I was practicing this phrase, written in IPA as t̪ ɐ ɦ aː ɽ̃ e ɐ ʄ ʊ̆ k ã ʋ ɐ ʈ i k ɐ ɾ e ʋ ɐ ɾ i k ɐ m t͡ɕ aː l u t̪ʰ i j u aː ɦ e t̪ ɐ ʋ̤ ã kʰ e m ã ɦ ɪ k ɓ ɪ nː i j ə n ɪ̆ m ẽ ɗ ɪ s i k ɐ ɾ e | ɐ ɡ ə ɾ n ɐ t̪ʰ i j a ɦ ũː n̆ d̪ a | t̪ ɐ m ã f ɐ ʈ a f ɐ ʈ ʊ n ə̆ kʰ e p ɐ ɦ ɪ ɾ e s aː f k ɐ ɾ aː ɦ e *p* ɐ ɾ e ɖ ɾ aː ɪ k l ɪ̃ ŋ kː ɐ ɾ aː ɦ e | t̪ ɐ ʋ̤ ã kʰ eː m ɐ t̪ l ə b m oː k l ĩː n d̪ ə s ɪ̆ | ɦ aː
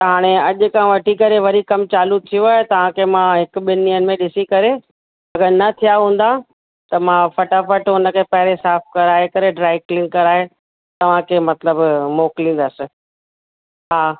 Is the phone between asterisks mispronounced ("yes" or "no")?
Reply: yes